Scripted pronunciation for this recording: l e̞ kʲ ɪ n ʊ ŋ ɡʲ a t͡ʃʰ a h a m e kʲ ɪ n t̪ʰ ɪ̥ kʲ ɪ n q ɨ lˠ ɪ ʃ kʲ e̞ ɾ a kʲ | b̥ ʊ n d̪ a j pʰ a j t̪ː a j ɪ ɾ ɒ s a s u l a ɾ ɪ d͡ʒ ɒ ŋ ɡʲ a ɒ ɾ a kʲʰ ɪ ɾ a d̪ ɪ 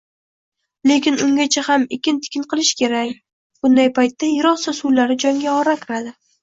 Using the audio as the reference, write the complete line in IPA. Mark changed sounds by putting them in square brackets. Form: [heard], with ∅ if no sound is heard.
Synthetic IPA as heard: l e̞ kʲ ɪ n ʊ ŋ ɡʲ a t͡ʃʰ a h a m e kʲ ɪ n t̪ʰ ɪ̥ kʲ ɪ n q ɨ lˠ ɪ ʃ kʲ e̞ ɾ a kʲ | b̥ ʊ n d̪ a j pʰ a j t̪ː a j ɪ ɾ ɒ s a s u l a ɾ ɪ d͡ʒ ɒ ŋ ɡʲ a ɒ ɾ a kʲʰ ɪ ɾ a d̪ ɪ